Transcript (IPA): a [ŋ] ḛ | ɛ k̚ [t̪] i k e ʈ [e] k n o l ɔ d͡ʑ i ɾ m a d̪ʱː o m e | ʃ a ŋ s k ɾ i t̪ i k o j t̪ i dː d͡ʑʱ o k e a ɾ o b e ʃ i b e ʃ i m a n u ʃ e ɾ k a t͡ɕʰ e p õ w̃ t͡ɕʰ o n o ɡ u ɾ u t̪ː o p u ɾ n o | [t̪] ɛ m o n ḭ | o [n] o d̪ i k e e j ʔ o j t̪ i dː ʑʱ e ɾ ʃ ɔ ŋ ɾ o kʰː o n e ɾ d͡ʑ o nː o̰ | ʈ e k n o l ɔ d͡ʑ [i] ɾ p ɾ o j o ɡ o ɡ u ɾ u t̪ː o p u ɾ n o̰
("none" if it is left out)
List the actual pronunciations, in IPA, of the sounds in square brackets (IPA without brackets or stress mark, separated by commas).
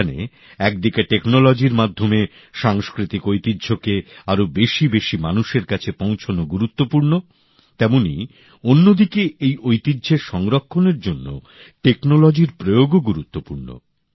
n, d̪, e, t̪, nː, i